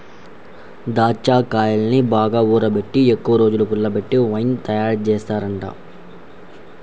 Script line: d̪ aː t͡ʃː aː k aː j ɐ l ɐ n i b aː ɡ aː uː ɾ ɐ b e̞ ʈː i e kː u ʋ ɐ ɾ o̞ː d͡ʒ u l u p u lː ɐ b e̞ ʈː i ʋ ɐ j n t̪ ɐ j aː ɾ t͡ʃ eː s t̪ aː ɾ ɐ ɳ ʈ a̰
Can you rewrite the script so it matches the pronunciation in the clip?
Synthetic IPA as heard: d̪ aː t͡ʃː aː k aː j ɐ l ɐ n i b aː ɡ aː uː ɾ ɐ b e̞ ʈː i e kː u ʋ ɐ ɾ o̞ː d͡ʒ u l u p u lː ɐ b e̞ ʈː i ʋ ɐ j n t̪ ɐ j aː ɾ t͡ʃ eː s t̪ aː ɾ ɐ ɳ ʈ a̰